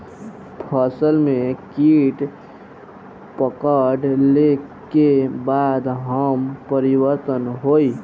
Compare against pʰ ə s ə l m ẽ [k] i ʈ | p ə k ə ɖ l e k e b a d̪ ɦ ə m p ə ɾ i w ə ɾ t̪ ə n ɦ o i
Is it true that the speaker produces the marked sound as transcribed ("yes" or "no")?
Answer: yes